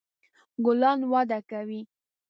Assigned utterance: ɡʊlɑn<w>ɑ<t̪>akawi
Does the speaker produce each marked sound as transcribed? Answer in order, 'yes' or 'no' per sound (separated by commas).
yes, no